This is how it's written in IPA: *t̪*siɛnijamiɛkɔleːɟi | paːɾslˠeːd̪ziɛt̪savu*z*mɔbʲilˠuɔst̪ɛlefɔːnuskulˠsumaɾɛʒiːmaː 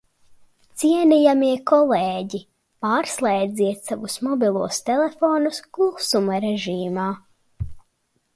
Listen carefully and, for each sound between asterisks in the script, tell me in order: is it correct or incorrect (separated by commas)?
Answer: correct, incorrect